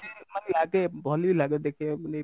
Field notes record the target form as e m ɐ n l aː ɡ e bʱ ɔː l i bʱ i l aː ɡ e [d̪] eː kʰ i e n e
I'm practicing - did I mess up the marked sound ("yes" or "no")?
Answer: no